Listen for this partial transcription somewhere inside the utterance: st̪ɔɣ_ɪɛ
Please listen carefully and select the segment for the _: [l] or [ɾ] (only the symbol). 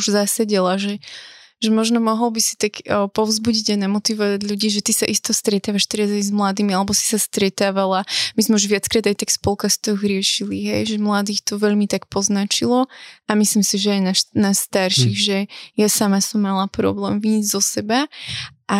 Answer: ɾ